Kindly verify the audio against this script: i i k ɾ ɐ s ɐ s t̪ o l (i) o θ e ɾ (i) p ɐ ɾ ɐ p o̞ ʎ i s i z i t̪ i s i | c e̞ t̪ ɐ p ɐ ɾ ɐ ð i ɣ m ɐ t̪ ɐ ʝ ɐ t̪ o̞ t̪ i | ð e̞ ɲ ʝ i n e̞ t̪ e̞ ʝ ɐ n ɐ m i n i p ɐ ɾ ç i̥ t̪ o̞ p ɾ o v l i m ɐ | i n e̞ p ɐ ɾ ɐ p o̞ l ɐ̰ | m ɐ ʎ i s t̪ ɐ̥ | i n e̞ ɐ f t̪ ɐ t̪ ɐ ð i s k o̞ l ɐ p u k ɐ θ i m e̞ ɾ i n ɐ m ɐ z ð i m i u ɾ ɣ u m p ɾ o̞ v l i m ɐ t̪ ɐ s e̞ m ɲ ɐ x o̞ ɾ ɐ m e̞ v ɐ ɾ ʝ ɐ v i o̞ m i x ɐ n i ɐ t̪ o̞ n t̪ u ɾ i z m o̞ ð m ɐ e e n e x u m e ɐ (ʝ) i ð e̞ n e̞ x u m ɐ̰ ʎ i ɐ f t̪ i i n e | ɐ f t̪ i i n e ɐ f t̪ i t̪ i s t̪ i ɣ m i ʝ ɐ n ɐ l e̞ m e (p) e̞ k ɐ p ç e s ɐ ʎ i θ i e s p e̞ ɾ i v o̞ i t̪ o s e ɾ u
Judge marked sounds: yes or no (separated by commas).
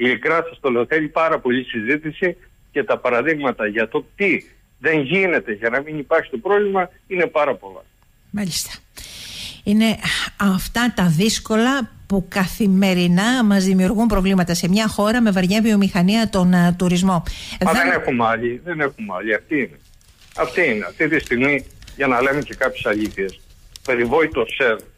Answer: no, yes, no, no